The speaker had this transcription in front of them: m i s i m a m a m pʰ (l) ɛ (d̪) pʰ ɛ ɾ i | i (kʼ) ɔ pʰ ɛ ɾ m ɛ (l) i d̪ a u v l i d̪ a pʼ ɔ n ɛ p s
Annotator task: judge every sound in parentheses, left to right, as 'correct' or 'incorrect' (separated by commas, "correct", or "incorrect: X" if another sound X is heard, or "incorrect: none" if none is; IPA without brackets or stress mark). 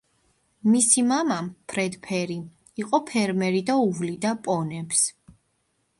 incorrect: ɾ, correct, incorrect: qʼ, incorrect: ɾ